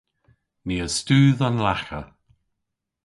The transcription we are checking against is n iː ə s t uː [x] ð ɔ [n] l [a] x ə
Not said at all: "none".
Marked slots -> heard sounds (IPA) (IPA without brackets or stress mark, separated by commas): none, n, a